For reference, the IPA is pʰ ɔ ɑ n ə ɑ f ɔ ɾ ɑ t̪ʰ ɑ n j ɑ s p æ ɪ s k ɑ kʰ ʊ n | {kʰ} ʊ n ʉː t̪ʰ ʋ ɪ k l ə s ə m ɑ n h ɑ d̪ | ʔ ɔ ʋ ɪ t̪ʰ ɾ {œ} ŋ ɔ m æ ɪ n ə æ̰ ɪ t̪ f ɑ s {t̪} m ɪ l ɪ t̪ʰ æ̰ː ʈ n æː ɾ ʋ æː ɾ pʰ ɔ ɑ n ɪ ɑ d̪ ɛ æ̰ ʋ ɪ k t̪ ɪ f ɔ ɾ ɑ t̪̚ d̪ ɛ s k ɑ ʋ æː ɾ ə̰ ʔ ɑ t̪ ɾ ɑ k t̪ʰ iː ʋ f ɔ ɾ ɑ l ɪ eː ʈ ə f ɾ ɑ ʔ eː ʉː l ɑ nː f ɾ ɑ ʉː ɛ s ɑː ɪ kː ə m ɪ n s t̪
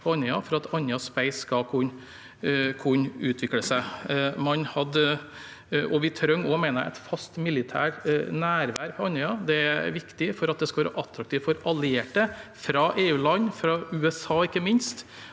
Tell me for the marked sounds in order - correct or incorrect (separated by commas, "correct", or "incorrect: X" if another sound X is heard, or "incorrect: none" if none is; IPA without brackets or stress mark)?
correct, correct, correct